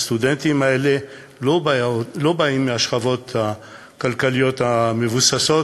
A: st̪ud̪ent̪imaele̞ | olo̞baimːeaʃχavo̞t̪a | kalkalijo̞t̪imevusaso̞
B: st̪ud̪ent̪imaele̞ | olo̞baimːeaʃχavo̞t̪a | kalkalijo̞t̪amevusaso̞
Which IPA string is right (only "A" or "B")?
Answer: B